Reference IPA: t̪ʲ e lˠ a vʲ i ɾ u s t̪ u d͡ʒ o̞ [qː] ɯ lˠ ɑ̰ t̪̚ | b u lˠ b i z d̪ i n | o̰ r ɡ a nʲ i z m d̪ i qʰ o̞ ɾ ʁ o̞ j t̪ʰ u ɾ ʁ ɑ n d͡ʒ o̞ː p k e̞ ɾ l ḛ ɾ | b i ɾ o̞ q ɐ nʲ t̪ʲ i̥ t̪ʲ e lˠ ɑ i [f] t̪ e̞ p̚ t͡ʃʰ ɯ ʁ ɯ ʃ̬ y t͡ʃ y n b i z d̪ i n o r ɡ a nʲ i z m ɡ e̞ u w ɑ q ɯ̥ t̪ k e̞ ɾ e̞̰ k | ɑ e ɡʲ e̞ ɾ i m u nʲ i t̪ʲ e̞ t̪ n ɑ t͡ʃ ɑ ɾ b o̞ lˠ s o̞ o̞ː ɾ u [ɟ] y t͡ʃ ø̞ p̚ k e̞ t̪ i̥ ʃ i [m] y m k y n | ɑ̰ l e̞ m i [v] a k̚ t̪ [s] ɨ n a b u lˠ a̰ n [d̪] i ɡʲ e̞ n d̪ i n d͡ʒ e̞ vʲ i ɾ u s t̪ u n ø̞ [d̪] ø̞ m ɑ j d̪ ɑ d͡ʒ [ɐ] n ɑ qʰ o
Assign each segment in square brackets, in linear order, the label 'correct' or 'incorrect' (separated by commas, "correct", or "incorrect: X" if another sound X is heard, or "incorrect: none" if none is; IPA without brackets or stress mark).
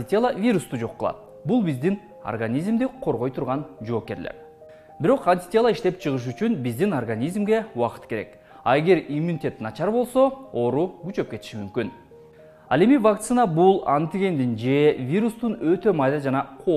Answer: correct, incorrect: ʃ, incorrect: ɡ, correct, correct, correct, incorrect: t̪, incorrect: t̪, incorrect: ɑ